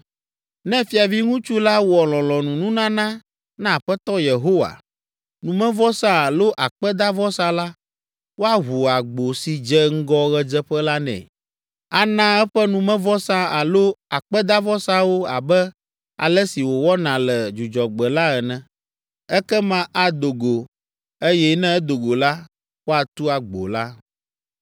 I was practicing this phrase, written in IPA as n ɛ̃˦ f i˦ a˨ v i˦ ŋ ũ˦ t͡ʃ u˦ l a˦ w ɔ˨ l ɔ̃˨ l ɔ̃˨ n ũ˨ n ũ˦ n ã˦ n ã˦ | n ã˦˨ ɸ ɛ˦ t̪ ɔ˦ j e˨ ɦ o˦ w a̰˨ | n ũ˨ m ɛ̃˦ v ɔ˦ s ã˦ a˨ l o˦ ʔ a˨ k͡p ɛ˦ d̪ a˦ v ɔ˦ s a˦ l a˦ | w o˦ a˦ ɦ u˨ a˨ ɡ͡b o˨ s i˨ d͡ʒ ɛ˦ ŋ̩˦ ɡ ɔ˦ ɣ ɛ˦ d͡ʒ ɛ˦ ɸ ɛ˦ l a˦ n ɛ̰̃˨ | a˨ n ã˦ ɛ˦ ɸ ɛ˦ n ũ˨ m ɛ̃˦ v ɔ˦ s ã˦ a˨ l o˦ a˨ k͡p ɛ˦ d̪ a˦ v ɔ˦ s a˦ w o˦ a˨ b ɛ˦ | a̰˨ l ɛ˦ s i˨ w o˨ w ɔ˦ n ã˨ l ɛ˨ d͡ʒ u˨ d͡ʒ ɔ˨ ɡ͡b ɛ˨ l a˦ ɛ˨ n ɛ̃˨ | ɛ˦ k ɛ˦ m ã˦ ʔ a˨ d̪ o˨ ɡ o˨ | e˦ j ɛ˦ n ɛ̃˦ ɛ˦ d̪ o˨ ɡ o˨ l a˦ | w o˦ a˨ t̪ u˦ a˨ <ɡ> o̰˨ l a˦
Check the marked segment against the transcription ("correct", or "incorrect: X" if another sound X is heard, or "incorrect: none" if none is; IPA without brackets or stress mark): incorrect: ɡ͡b